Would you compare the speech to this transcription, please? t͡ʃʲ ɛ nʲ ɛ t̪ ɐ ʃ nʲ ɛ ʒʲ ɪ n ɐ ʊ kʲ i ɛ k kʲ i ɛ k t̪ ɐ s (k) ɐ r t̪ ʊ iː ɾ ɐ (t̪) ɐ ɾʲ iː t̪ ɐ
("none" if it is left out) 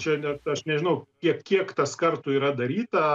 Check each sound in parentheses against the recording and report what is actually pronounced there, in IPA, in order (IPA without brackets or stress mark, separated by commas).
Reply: k, d̪